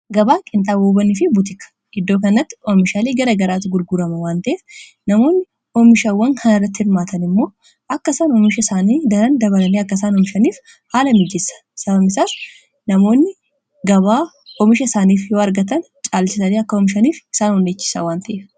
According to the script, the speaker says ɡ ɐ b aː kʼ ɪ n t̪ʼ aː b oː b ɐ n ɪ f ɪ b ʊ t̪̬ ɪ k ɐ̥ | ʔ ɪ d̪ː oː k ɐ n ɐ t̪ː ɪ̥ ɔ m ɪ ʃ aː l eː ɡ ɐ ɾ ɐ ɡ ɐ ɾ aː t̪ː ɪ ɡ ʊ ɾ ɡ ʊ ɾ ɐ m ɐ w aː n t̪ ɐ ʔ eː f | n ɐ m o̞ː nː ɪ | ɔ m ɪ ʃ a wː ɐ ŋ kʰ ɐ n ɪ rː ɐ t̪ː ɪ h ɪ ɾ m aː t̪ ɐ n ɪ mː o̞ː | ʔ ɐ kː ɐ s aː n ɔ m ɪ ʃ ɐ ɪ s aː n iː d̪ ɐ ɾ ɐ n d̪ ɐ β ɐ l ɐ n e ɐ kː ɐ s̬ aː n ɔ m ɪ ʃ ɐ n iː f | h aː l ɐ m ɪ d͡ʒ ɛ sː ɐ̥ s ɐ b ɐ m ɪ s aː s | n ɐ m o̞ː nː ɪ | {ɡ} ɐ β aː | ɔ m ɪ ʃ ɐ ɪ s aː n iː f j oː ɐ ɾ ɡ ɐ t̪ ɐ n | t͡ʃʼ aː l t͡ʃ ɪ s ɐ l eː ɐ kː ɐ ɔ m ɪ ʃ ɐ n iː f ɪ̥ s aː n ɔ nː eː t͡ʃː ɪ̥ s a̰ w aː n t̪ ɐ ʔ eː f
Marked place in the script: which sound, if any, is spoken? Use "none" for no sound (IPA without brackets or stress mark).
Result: ɡ